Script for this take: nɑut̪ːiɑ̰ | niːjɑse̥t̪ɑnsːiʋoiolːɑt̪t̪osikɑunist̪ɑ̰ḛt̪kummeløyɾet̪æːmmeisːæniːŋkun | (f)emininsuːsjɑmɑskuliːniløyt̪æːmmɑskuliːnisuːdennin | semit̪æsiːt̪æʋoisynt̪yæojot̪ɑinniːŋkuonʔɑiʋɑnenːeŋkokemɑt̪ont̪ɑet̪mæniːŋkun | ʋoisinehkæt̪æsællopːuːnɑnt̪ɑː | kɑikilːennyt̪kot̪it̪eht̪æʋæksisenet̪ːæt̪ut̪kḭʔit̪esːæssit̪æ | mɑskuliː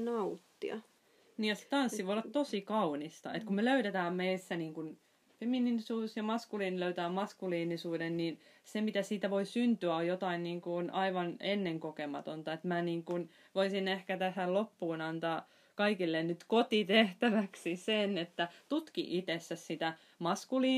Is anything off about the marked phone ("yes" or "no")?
no